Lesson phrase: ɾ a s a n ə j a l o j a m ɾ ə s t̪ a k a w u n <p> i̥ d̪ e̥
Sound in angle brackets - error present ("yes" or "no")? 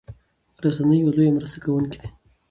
yes